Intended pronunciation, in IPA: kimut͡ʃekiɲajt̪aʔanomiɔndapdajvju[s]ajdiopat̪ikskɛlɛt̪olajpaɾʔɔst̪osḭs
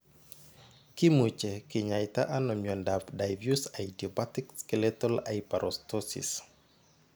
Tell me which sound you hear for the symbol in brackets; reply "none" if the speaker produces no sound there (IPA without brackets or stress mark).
s